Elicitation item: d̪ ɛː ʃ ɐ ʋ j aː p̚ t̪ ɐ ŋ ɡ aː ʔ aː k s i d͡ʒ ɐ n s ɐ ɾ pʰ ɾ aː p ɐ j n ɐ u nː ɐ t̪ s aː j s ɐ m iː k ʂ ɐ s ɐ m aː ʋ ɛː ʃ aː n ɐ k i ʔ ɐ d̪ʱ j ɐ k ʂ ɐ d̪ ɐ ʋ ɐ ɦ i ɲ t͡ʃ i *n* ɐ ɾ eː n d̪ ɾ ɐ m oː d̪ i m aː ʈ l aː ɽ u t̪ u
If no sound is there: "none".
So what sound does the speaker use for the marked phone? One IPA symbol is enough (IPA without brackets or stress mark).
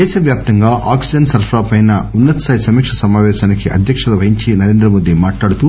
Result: n